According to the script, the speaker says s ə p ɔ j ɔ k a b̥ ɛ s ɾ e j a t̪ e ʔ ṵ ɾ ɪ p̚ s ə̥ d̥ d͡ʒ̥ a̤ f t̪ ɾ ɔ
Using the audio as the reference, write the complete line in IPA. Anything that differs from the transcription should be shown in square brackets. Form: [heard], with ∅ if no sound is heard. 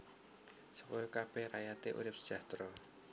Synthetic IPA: s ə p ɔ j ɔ k a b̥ ɛ [h] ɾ [a] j a t̪ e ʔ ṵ ɾ ɪ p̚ s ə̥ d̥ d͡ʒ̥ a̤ [h] t̪ ɾ ɔ